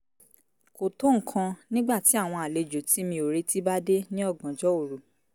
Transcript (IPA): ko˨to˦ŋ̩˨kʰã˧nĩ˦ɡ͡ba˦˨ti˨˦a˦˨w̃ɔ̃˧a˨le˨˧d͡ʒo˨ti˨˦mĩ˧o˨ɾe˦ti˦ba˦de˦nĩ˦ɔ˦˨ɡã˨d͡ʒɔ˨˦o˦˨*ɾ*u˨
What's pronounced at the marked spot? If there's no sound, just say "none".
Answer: ɾ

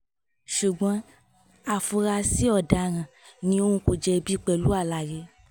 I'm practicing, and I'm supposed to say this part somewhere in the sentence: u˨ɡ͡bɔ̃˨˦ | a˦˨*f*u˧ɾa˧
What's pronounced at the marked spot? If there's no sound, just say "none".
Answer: f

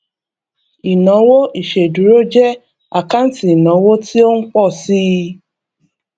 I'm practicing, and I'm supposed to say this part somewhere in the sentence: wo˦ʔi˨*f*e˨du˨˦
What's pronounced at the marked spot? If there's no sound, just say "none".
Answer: ʃ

